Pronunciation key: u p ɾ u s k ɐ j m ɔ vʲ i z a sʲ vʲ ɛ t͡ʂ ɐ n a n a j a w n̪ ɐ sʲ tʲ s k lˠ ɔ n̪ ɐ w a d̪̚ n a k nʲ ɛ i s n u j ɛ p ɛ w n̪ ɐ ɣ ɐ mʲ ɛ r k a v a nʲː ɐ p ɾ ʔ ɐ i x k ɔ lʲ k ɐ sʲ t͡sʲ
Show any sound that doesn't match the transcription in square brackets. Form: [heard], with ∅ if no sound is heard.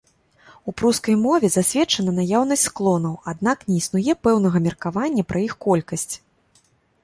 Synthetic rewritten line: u p ɾ u s k ɐ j m ɔ vʲ [ɛ] z a sʲ vʲ ɛ t͡ʂ ɐ n [ɐ] n a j a w n̪ ɐ sʲ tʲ s k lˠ ɔ n̪ ɐ w a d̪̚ n a k nʲ ɛ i s n u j ɛ p ɛ w n̪ ɐ ɣ ɐ mʲ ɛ r k a v a nʲː ɐ p ɾ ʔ ɐ i x k ɔ lʲ k ɐ sʲ t͡sʲ